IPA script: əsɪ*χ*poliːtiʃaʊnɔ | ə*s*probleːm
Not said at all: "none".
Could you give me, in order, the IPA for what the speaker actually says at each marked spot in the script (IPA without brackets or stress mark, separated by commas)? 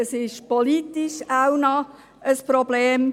ʃ, s